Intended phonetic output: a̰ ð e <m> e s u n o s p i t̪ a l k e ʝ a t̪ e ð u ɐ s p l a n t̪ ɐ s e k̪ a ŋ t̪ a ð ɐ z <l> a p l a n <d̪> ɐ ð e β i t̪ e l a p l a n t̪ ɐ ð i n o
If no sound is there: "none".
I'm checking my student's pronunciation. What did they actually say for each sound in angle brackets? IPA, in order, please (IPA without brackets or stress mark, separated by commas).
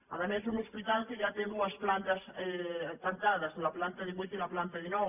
m, l, t̪